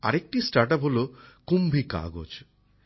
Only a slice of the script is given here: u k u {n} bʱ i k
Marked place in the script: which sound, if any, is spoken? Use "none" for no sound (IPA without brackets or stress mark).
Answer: m